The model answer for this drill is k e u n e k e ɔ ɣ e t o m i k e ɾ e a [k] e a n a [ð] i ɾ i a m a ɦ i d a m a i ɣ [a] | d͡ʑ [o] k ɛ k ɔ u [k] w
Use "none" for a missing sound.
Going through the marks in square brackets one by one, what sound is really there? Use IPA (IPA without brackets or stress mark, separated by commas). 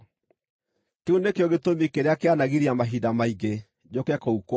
k, ɣ, e, o, k